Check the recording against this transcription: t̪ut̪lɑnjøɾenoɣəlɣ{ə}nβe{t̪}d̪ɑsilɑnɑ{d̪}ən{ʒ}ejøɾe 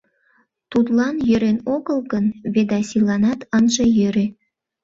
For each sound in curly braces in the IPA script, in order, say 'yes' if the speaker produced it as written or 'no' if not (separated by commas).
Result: yes, no, no, yes